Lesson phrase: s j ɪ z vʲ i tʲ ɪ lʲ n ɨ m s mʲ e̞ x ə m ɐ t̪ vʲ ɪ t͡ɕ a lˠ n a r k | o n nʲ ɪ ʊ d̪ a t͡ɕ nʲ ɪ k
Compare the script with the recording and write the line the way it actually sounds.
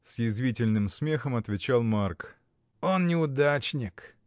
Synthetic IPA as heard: s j ɪ z vʲ i tʲ ɪ lʲ n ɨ m s mʲ e̞ x ə m ɐ t̪ vʲ ɪ t͡ɕ a lˠ m a r k | o n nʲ ɪ ʊ d̪ a t͡ɕ nʲ ɪ k

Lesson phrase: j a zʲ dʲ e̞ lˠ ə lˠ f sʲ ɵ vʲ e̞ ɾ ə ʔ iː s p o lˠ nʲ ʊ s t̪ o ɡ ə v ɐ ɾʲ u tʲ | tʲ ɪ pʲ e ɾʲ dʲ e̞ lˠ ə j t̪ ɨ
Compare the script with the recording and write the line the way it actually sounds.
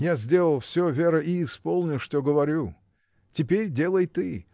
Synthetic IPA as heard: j a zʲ dʲ e̞ lˠ ə lˠ f sʲ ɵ vʲ e̞ ɾ ə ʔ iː s p o lˠ nʲ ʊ ʂ t̪ o ɡ ə v ɐ ɾʲ u | tʲ ɪ pʲ e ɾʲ dʲ e̞ lˠ ə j t̪ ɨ

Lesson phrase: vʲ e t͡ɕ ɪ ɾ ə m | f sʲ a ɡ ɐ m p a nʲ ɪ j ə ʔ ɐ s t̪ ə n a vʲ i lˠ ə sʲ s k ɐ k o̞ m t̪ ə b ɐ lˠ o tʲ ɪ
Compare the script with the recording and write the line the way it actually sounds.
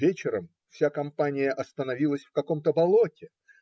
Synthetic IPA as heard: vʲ e t͡ɕ ɪ ɾ ə m | f sʲ a k ɐ m p a nʲ ɪ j ə ʔ ɐ s t̪ ə n ɐ vʲ i lˠ ə sʲ f k ɐ k o̞ m t̪ ə b ɐ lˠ o tʲ ɪ

